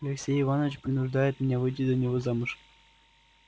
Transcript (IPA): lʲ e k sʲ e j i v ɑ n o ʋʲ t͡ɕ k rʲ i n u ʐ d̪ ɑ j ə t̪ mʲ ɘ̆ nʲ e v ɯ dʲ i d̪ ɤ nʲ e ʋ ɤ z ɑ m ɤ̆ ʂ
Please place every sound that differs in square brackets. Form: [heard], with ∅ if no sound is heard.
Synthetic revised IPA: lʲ e k sʲ e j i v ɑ n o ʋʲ t͡ɕ [p] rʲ i n u ʐ d̪ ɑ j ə t̪ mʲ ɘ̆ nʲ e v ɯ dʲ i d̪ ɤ nʲ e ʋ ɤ z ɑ m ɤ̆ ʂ